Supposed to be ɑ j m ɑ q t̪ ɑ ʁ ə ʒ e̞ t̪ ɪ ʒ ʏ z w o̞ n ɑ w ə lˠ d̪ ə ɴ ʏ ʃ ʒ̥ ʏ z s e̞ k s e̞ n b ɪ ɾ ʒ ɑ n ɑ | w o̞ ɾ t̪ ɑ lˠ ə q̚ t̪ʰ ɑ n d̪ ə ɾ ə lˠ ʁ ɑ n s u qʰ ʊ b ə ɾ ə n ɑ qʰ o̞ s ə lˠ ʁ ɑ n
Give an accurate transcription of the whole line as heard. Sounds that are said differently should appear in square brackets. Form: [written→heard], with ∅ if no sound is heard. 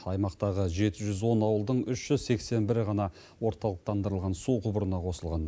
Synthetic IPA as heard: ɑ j m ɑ q t̪ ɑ ʁ ə ʒ e̞ t̪ ɪ ʒ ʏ z w o̞ n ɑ w ə lˠ d̪ ə ɴ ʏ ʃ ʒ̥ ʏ z s e̞ k s e̞ n b ɪ ɾ [ʒ→ʁ] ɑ n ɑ | w o̞ ɾ t̪ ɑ lˠ ə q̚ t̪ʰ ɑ n d̪ ə ɾ ə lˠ ʁ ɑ n s u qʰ ʊ b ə ɾ ə n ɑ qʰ o̞ s ə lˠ ʁ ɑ n